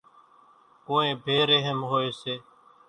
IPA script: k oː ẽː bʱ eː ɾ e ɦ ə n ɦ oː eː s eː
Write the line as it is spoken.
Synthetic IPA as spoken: k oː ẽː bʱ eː ɾ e ɦ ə m ɦ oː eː s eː

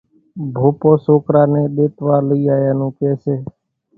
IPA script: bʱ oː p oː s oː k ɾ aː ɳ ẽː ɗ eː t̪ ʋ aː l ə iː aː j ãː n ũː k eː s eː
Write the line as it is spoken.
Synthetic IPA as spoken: bʱ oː p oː s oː k ɾ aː n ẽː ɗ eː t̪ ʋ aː l ə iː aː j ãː n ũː k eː s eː

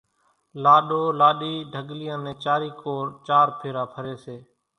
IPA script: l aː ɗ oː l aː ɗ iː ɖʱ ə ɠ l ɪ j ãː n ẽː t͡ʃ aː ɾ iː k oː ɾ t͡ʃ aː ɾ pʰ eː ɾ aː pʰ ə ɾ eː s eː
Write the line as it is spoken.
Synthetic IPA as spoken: l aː ɗ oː l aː ɗ iː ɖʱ ə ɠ l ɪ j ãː n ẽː t͡ʃ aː ɾ iː k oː ɾ t͡ʃ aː ɾ pʰ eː ɾ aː pʰ ə ɾ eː s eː

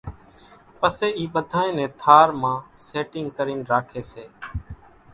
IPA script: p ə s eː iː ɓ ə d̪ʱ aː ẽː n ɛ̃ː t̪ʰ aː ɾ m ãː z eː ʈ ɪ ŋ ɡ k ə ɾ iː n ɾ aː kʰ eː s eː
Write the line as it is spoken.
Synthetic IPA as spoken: p ə s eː iː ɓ ə d̪ʱ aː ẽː n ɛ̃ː t̪ʰ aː ɾ m ãː s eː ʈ ɪ ŋ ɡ k ə ɾ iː n ɾ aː kʰ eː s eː

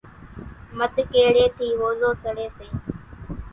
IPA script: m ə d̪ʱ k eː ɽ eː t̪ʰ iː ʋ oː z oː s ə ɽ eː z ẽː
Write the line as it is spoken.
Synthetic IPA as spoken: m ə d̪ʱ k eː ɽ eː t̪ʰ iː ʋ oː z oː s ə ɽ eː s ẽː

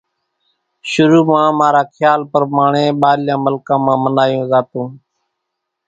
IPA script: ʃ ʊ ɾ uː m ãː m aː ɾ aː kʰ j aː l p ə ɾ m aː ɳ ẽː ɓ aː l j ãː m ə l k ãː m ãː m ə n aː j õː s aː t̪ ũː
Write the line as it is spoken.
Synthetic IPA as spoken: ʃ ʊ ɾ uː m ãː m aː ɾ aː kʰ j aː l p ə ɾ m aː ɳ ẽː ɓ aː l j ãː m ə l k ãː m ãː m ə n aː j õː z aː t̪ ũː

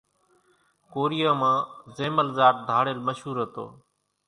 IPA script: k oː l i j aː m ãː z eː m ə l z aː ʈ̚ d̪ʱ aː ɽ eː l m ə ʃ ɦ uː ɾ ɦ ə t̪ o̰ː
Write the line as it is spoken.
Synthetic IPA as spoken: k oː ɾ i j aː m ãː z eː m ə l z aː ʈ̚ d̪ʱ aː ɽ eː l m ə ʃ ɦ uː ɾ ɦ ə t̪ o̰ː

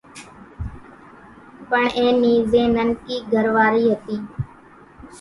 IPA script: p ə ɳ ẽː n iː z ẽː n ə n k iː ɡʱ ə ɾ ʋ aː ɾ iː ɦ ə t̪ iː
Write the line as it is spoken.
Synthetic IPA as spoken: p ə ɳ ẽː n iː z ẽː n ə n k iː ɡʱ ə ɾ ʋ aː ɾ iː ɦ ə t̪ iː

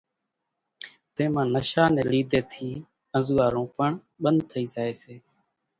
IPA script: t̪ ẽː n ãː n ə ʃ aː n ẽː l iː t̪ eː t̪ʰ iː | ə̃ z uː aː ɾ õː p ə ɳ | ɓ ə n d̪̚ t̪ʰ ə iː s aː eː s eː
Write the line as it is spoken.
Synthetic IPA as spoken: t̪ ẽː m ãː n ə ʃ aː n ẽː l iː d̪ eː t̪ʰ iː | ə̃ z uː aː ɾ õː p ə ɳ | ɓ ə n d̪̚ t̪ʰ ə iː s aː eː s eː

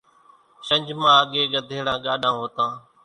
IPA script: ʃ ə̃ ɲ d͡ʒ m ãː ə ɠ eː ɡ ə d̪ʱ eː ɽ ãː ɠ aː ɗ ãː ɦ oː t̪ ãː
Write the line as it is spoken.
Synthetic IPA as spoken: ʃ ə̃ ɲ d͡ʒ m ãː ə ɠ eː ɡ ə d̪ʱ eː ɽ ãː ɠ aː ɗ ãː ɦ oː t̪ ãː

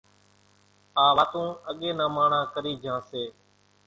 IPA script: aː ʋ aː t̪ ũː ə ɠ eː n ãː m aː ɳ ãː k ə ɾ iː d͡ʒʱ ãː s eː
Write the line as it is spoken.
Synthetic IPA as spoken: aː ʋ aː t̪ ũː ə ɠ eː n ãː m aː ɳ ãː k ə ɾ iː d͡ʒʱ ãː s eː

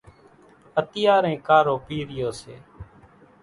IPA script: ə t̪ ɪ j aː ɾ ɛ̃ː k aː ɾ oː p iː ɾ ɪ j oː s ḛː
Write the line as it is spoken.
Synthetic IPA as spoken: ə t̪ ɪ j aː ɾ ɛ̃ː k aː ɾ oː p iː ɾ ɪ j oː s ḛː

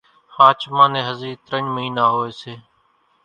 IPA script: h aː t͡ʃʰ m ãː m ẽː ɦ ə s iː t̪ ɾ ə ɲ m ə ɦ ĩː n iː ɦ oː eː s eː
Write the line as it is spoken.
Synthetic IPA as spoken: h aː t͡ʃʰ m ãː n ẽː ɦ ə z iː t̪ ɾ ə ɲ m ə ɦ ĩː n aː ɦ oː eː s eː

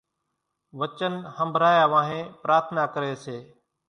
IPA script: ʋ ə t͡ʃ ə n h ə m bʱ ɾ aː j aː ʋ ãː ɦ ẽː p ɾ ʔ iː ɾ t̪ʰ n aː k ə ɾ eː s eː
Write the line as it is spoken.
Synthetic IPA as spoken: ʋ ə t͡ʃ ə n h ə m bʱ ɾ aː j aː ʋ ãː ɦ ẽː p ɾ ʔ aː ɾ t̪ʰ n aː k ə ɾ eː s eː

